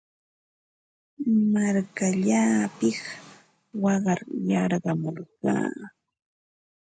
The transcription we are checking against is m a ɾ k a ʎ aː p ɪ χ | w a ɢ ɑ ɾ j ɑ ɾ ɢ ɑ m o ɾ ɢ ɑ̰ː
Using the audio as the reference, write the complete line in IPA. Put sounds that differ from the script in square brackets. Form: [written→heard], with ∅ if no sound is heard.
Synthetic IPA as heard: m a ɾ k a ʎ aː p ɪ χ | w [a→ɑ] ɢ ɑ ɾ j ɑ ɾ ɢ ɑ m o ɾ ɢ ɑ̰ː